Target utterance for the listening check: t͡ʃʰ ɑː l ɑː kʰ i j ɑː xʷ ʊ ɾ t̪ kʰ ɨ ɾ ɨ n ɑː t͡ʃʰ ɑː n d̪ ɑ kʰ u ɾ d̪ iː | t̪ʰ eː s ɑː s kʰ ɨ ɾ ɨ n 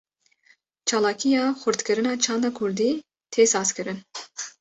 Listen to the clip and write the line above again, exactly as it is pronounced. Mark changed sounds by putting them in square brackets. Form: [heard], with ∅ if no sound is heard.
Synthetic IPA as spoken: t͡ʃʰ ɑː l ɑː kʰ i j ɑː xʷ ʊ ɾ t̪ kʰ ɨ ɾ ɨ n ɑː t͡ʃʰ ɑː n d̪ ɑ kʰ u ɾ d̪ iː | t̪ʰ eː s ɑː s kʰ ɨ ɾ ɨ n